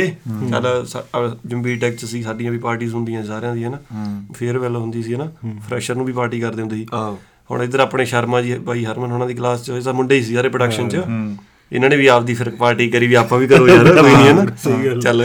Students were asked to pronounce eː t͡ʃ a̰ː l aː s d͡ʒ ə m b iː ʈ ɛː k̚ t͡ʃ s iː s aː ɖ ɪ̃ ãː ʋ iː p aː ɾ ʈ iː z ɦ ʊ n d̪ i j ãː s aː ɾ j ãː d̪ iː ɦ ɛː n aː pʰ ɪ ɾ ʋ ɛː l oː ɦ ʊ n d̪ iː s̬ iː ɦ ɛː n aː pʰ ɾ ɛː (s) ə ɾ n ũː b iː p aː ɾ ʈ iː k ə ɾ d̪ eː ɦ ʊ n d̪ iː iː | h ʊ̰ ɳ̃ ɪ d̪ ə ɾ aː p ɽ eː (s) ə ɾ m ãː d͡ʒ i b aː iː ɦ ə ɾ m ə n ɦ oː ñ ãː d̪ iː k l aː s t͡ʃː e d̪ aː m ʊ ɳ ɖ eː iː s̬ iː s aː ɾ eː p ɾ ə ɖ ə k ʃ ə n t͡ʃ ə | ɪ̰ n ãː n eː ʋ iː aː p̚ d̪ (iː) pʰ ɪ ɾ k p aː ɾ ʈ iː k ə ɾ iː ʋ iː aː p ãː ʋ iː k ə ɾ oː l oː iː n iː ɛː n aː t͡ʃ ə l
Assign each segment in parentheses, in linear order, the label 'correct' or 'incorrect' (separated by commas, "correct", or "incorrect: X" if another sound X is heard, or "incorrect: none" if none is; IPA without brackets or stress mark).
incorrect: ʃ, incorrect: ʃ, correct